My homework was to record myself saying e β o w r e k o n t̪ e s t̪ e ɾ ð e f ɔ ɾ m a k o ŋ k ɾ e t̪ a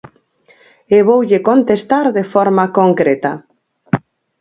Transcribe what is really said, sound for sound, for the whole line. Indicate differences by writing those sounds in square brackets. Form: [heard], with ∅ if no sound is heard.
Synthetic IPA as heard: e β o w [ʎ] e k o n t̪ e s t̪ [a] ɾ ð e f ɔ ɾ m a k o ŋ k ɾ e t̪ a